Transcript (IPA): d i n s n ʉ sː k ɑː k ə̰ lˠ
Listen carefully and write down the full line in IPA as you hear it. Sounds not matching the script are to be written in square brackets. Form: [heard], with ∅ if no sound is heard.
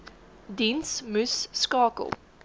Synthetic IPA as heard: d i n s [m] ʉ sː k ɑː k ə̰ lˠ